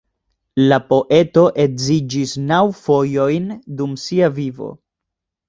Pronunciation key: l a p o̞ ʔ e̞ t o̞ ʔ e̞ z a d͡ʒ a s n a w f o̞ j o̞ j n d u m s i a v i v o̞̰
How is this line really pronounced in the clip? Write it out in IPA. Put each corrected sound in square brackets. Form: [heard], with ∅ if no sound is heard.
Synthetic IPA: l a p o̞ ʔ e̞ t o̞ ʔ e̞ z [i] d͡ʒ [i] s n a w f o̞ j o̞ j n d u m s i a v i v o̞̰